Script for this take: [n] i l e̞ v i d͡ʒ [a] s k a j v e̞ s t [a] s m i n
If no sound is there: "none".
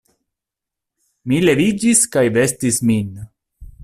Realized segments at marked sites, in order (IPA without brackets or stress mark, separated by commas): m, i, i